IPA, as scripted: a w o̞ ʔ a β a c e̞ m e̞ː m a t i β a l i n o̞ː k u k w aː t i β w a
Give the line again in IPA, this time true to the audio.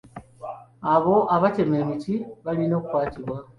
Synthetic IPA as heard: a β o̞ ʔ a β a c e̞ m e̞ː m i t i β a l i n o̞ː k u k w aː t i β w a